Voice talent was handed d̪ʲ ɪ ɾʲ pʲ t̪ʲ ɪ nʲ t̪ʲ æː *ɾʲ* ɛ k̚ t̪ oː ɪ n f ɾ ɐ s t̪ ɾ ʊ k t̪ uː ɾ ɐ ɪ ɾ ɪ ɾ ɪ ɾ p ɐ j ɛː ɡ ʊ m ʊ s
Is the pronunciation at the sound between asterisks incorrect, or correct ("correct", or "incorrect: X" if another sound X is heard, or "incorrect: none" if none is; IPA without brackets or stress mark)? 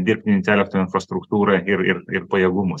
incorrect: lʲ